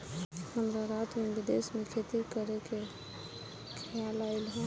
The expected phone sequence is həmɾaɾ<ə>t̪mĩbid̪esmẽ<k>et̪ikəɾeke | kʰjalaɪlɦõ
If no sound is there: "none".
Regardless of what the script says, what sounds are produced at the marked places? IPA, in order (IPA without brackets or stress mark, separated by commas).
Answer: a, kʰ